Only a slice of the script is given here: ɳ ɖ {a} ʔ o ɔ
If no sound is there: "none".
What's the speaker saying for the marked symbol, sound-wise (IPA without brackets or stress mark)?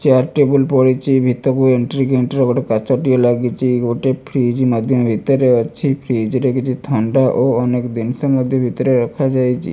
a